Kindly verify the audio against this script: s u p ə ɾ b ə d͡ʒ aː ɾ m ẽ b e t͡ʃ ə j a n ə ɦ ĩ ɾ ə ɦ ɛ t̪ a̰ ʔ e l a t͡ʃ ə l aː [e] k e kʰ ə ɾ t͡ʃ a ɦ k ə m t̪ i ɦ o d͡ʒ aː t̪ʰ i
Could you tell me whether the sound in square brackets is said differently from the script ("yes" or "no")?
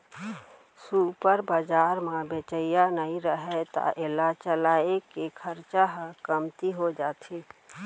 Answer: no